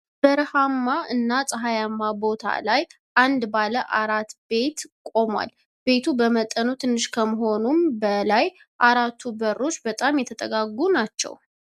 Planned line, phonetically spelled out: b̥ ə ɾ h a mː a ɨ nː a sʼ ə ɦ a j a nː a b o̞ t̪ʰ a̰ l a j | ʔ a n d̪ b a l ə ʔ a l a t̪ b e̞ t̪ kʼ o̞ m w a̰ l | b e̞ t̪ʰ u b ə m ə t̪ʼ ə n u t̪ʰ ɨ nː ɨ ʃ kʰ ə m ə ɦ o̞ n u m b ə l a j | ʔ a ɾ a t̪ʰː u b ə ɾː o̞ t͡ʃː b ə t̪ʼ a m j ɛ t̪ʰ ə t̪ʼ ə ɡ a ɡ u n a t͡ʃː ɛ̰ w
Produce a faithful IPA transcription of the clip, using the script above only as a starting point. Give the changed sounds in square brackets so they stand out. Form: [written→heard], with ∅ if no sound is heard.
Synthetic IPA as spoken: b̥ ə ɾ h a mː a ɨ nː a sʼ ə ɦ a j a [nː→mː] a b o̞ t̪ʰ a̰ l a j | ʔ a n d̪ b a l ə ʔ a [l→ɾ] a t̪ b e̞ t̪ kʼ o̞ m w a̰ l | b e̞ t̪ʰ u b ə m ə t̪ʼ ə n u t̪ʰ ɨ nː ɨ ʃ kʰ ə m ə ɦ o̞ n u m b ə l a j | ʔ a ɾ a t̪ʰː u b ə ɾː o̞ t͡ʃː b ə t̪ʼ a m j ɛ t̪ʰ ə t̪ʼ ə ɡ a ɡ u n a t͡ʃː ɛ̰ w